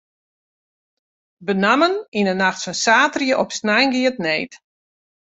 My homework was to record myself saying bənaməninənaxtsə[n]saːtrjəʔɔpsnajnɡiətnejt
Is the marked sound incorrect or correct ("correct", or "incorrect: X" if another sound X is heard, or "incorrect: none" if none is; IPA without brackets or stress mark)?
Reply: correct